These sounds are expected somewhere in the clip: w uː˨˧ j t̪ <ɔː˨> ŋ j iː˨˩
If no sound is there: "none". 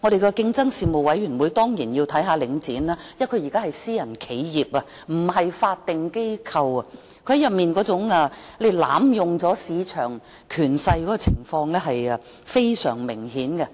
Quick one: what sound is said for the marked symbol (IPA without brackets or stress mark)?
ɔː˥